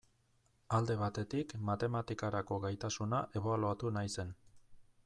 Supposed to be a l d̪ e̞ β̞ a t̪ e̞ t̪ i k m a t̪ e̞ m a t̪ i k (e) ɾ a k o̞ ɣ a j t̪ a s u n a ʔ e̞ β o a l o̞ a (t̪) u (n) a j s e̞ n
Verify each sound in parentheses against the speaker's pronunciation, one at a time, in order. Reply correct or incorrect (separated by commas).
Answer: incorrect, correct, correct